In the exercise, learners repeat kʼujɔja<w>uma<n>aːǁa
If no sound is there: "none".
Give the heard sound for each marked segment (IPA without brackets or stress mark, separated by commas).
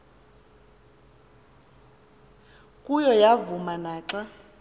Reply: v, n